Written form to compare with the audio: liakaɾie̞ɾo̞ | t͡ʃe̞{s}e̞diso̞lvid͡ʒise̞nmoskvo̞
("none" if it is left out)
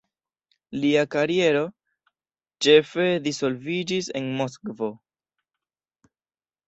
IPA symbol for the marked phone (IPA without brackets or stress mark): f